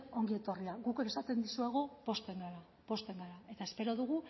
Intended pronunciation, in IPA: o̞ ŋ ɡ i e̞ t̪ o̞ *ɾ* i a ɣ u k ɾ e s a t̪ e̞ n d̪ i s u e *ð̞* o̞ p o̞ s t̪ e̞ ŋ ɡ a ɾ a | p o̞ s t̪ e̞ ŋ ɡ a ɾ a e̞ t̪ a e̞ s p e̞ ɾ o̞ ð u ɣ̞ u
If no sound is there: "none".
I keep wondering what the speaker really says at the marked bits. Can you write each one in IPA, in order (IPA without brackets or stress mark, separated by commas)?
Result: r, ɣ̞